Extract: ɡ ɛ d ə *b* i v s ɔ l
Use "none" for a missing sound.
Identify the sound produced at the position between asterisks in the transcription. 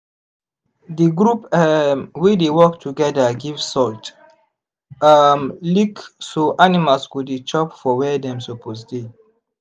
ɡ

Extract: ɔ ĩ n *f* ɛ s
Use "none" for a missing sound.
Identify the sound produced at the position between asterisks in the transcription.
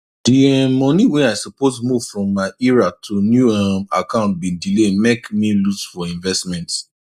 v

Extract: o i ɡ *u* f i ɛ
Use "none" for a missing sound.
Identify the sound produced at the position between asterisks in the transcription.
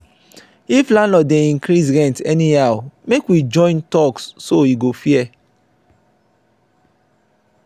o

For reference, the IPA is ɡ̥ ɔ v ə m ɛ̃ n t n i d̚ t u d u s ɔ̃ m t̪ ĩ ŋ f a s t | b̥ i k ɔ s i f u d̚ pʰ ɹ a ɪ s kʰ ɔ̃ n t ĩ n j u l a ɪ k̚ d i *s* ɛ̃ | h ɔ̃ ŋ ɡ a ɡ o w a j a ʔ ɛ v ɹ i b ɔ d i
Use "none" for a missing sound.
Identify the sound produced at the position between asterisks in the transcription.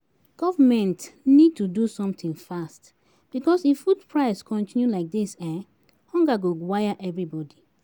s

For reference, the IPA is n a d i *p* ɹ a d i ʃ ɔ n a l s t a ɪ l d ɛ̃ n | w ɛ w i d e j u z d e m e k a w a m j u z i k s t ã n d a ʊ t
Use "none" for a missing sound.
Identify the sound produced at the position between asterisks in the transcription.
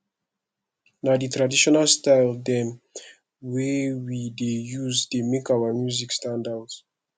t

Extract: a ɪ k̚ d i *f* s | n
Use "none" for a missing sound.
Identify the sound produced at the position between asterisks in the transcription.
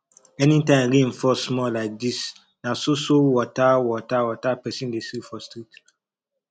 none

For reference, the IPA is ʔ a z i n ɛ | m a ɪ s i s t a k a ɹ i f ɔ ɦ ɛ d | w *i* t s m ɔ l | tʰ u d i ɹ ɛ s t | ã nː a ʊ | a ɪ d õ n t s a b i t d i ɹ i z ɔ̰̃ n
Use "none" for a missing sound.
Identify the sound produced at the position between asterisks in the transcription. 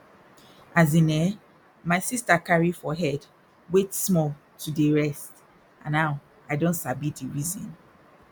e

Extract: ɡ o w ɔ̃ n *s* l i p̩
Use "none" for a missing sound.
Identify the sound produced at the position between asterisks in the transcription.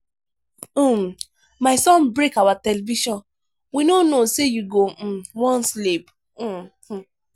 s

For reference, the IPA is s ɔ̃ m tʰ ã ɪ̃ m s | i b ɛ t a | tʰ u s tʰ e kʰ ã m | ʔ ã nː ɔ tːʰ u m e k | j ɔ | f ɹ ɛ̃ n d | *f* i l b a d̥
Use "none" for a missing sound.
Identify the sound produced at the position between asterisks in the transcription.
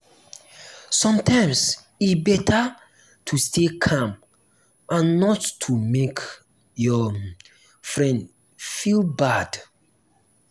f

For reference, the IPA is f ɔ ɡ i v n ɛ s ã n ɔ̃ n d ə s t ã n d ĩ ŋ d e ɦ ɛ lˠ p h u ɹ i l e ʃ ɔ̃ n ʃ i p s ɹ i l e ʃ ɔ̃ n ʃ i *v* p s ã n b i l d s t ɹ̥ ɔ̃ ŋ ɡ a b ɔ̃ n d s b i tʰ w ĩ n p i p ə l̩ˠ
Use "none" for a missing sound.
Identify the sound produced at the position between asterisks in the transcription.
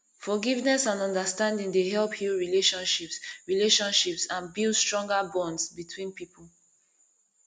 none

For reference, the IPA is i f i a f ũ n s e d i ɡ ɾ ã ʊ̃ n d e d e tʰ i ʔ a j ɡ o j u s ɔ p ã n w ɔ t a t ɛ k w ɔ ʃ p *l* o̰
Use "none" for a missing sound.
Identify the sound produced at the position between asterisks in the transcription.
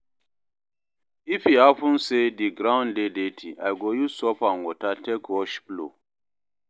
l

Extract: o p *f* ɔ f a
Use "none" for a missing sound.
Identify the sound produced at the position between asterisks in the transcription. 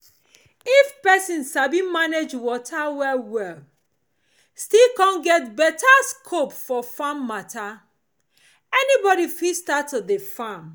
f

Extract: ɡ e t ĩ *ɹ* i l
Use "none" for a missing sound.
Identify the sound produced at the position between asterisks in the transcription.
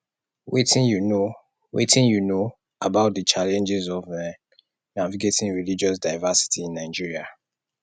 ɹ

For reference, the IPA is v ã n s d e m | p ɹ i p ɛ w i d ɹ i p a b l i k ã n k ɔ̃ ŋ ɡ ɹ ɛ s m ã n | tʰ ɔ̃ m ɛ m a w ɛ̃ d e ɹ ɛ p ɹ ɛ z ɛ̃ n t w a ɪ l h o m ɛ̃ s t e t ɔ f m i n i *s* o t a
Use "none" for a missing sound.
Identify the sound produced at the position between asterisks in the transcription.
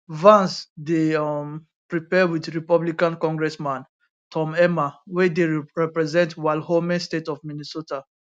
s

